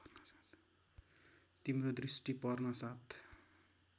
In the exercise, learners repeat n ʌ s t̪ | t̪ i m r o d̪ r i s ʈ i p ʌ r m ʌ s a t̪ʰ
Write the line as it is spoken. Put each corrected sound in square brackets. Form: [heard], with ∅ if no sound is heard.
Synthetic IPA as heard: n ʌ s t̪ | t̪ i m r o d̪ r i s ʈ i p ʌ r [n] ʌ s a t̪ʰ